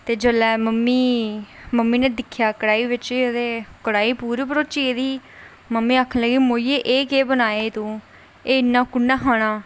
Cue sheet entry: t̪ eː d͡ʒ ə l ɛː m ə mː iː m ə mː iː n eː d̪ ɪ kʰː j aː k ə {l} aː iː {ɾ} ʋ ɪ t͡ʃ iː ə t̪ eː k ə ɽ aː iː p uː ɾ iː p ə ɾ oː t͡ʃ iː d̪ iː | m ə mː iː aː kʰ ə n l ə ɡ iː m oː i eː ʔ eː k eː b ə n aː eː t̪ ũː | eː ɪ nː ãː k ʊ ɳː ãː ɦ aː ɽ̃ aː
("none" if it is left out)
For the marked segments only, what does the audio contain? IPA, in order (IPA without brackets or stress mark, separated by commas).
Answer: ɽ, none